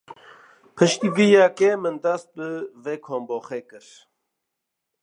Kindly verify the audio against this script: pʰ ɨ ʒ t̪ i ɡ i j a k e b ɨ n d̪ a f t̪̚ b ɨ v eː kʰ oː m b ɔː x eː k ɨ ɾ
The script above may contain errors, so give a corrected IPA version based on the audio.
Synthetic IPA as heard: pʰ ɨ ʃ t̪ i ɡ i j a k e m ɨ n d̪ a s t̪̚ b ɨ v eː kʰ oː m b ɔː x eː k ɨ ɾ

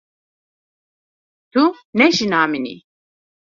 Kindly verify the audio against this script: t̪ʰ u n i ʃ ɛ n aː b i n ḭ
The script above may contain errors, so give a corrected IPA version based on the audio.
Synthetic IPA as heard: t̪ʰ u n ɛ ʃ i n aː m i n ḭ

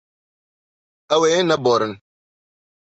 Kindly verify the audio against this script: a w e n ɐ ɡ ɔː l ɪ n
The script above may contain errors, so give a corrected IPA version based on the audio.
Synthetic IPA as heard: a w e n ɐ b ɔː ɾ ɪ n

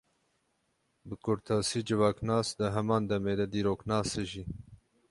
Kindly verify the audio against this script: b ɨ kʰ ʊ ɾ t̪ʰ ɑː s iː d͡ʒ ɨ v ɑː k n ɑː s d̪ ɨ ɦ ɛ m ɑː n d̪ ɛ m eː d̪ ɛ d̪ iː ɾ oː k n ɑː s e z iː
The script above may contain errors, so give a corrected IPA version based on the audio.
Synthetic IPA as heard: b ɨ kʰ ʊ ɾ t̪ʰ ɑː s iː d͡ʒ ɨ v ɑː k n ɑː s d̪ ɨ ɦ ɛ m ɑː n d̪ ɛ m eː d̪ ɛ d̪ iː ɾ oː k n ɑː s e ʒ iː

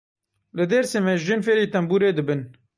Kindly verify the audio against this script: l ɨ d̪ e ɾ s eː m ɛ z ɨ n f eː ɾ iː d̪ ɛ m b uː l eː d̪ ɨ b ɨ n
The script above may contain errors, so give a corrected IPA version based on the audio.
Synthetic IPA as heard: l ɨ d̪ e ɾ s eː m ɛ ʒ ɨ n f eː ɾ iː t̪ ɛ m b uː ɾ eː d̪ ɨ b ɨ n

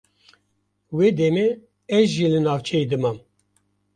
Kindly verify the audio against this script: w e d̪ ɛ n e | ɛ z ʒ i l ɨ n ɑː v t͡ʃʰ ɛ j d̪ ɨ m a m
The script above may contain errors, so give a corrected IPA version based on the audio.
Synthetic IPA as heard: w e d̪ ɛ m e | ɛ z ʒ i l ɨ n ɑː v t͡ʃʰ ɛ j d̪ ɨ m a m

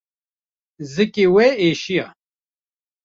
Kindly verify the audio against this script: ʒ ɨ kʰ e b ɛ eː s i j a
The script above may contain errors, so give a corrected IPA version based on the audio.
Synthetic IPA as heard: z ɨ k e w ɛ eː ʃ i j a

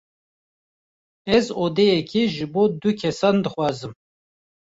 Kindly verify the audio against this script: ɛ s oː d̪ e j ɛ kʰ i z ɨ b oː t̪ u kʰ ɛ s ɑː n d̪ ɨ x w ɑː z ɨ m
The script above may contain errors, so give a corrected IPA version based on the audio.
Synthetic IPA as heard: ɛ z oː d̪ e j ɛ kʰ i ʒ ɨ b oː d̪ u kʰ ɛ s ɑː n d̪ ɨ x w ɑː z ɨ m

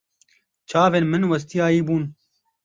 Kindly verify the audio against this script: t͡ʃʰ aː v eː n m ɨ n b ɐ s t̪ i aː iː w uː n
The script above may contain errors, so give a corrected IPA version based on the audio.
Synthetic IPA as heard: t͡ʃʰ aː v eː n m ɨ n w ɐ s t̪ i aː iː b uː n

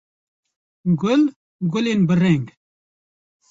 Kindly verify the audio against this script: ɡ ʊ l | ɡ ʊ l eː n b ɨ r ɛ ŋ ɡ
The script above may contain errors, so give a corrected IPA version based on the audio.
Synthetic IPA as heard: ɡ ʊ l | ɡ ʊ l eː n b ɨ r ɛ ŋ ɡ

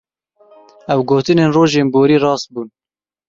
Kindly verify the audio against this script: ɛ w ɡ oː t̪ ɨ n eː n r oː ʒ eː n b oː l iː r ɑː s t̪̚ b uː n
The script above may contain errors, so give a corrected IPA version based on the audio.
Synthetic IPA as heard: ɛ w ɡ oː t̪ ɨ n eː n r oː ʒ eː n b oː ɾ iː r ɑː s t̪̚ b uː n

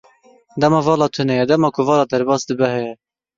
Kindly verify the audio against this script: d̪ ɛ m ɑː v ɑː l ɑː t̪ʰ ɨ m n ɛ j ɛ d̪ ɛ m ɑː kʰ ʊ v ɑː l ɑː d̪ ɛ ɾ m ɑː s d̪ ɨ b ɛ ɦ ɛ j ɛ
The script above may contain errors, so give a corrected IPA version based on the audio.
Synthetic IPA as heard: d̪ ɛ m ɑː v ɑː l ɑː t̪ʰ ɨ n ɛ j ɛ d̪ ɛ m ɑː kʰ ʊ v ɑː l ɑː d̪ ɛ ɾ b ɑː s d̪ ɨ b ɛ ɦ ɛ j ɛ

